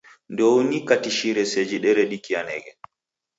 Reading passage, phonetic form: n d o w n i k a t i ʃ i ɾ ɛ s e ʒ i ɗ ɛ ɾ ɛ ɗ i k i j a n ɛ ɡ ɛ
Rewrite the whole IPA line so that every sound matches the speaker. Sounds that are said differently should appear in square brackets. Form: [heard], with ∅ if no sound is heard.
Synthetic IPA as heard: n d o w n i k a t i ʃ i ɾ ɛ s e [d͡ʒ] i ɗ ɛ ɾ ɛ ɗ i k i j a n ɛ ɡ ɛ

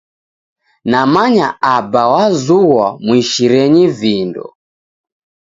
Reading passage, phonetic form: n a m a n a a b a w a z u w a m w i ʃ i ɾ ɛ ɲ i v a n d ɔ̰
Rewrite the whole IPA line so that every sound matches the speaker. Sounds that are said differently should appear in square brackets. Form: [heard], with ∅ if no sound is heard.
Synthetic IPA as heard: n a m a [ɲ] a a b a w a z u w a m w i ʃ i ɾ ɛ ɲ i v [i] n d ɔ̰

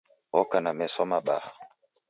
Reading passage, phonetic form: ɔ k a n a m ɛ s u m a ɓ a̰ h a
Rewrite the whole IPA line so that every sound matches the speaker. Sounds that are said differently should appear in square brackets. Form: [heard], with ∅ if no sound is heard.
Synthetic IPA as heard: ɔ k a n a m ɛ s [ɔ] m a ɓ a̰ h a

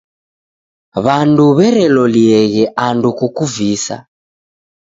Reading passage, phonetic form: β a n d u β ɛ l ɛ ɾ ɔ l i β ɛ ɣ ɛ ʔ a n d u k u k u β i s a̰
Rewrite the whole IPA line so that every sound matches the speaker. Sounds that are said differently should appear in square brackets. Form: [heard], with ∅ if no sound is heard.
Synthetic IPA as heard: β a n d u β ɛ [ɾ] ɛ [l] ɔ l i [∅] ɛ ɣ ɛ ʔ a n d u k u k u [v] i s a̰

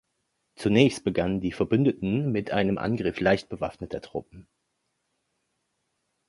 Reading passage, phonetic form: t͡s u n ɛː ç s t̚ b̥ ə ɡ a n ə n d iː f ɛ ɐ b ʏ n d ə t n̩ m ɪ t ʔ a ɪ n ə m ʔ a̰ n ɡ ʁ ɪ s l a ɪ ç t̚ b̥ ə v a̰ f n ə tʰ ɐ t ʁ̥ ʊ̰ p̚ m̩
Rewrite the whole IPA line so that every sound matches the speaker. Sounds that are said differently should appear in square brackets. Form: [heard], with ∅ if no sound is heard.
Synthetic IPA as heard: t͡s u n ɛː ç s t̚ b̥ ə ɡ a n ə n d iː f ɛ ɐ b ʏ n d ə t n̩ m ɪ t ʔ a ɪ n ə m ʔ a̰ n ɡ ʁ ɪ [f] l a ɪ ç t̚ b̥ ə v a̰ f n ə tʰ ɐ t ʁ̥ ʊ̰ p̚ m̩

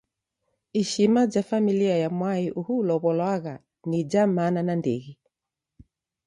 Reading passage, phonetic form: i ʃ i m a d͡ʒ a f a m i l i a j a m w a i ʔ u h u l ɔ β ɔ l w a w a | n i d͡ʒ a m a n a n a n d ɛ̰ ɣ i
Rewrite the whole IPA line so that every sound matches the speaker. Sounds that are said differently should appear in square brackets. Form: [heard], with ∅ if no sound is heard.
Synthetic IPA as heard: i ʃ i m a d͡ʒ a f a m i l i a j a m w a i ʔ u h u l ɔ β ɔ l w a [ɣ] a | n i d͡ʒ a m a n a n a n d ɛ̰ ɣ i

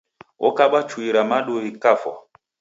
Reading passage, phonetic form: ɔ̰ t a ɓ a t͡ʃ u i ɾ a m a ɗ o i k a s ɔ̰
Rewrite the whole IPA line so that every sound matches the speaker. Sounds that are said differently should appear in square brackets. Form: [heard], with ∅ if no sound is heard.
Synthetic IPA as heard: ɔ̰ [k] a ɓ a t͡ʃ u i ɾ a m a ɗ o i k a [f] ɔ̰

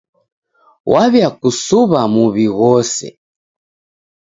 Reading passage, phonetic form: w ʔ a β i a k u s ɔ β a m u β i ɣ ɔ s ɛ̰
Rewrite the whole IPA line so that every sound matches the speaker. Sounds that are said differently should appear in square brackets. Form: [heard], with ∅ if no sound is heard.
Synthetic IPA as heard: w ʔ a β [j] a k u s [u] β a m u β i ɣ ɔ s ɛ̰

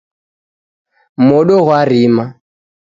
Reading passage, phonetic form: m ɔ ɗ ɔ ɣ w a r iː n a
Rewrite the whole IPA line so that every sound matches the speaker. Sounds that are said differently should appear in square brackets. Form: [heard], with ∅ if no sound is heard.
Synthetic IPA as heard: m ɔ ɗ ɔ ɣ w a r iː [m] a

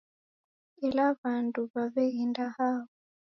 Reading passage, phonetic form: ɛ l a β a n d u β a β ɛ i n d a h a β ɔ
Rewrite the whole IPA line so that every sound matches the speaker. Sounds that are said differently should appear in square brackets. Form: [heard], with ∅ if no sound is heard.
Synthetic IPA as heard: ɛ l a β a n d u β a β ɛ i n d a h a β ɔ

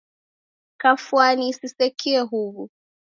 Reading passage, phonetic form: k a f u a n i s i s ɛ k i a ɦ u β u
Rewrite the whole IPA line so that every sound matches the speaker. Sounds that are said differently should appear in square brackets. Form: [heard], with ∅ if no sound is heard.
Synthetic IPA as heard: k a f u a n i s i s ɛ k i [ɛ] ɦ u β u

